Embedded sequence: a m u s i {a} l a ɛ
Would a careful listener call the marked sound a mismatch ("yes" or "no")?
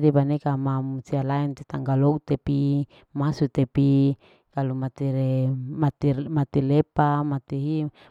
no